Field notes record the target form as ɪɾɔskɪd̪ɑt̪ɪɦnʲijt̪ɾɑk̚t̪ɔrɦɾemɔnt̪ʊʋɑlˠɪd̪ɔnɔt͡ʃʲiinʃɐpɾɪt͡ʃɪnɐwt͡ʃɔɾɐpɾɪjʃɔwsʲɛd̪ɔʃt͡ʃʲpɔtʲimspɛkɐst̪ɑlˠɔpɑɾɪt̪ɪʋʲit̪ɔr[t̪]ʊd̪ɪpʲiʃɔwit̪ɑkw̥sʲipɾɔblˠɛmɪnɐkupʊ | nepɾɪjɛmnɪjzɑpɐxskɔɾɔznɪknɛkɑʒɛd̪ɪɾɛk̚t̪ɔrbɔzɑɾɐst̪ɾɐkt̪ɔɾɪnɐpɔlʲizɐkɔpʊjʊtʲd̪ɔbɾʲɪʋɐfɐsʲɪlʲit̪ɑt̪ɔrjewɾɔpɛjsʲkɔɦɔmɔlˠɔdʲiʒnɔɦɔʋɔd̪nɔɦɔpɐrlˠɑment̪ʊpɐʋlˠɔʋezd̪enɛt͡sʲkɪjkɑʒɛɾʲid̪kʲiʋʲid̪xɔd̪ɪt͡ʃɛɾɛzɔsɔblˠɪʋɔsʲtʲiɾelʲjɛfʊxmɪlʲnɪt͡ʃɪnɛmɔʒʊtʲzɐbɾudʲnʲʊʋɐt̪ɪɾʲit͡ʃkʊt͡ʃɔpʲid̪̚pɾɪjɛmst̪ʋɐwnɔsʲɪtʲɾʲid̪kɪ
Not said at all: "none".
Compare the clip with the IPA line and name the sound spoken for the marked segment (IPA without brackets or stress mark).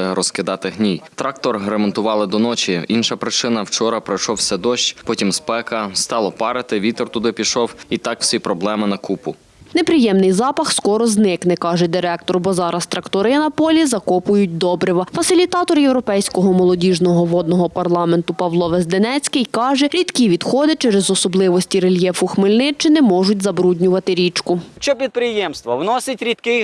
t̪